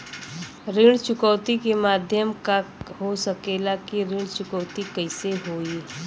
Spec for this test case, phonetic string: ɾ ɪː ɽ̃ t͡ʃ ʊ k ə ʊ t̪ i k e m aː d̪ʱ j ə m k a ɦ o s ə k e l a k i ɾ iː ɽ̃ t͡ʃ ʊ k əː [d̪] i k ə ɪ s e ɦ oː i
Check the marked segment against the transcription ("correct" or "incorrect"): incorrect